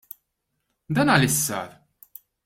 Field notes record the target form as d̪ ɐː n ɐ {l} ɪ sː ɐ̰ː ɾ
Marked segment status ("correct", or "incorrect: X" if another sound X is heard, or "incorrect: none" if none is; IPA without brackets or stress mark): correct